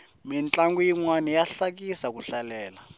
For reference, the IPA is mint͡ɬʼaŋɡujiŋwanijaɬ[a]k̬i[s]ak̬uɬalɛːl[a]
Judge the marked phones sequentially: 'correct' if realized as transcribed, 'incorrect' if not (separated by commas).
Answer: correct, correct, correct